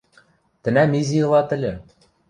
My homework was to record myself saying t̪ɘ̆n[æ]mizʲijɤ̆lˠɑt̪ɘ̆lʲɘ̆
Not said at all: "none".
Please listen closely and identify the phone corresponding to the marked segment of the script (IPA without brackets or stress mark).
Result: æ